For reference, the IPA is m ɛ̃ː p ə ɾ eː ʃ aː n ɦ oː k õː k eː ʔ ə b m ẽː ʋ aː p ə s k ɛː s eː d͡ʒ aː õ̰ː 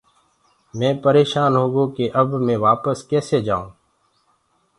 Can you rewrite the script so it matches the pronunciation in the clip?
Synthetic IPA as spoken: m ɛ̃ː p ə ɾ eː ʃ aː n ɦ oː ɡ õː k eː ʔ ə b m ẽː ʋ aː p ə s k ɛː s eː d͡ʒ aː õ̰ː